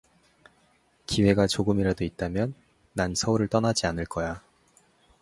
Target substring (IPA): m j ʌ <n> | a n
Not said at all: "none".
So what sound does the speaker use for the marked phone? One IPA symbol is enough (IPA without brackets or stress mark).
nː